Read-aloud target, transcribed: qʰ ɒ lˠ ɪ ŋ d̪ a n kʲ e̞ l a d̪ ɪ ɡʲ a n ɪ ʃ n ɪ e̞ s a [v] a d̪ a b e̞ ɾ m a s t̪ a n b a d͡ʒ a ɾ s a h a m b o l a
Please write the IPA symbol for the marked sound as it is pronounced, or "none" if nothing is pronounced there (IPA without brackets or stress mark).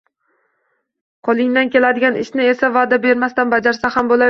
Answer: v